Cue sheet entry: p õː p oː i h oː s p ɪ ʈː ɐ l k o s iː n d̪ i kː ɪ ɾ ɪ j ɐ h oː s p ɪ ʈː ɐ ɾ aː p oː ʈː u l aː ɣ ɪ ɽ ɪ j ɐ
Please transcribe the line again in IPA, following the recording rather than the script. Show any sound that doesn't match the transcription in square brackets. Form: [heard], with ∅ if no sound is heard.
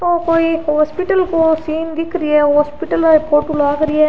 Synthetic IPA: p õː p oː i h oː s p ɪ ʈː ɐ l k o s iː n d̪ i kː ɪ ɾ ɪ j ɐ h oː s p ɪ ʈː ɐ [l] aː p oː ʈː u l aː ɣ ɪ [ɾ] ɪ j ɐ